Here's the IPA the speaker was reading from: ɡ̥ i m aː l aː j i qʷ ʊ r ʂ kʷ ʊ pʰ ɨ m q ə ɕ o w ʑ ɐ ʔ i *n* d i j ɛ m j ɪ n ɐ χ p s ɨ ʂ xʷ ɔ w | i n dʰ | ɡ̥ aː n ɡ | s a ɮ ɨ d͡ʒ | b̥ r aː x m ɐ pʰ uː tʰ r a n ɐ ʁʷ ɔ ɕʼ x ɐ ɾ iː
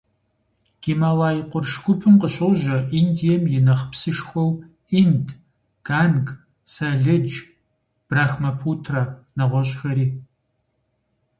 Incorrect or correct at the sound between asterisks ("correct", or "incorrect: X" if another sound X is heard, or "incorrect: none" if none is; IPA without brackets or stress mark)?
correct